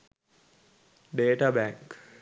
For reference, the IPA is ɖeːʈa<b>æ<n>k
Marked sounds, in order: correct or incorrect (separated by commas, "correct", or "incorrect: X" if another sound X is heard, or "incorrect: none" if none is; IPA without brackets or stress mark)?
correct, incorrect: ŋ